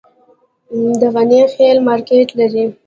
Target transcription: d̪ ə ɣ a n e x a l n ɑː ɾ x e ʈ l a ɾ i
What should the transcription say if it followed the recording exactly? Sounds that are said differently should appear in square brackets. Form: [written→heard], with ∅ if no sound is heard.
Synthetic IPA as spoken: d̪ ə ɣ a n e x [a→e] l [n→m] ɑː ɾ [x→k] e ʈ l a ɾ i